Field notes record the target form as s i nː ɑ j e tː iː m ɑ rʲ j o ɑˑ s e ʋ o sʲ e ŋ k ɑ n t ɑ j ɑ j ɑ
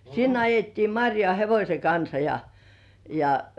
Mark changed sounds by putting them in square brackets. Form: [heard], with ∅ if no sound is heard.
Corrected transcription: s i nː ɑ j e tː iː m ɑ rʲ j o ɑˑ [h] e ʋ o sʲ e ŋ k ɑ n [s] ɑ j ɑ j ɑ